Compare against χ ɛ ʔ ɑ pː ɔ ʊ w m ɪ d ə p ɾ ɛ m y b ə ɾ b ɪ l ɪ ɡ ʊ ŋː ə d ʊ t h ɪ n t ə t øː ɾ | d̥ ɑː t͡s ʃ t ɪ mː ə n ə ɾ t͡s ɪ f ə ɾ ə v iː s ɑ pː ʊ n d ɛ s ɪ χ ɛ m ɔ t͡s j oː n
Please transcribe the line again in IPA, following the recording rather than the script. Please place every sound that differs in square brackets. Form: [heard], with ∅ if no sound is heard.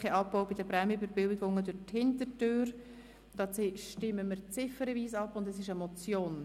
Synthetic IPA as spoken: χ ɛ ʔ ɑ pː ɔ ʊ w [b] ɪ d ə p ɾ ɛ m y b ə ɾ b ɪ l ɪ ɡ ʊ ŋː ə d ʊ t h ɪ n t ə t øː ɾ | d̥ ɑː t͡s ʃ t ɪ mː ə [m] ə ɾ t͡s ɪ f ə ɾ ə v iː s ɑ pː ʊ n d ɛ s ɪ [ʃ] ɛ m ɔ t͡s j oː n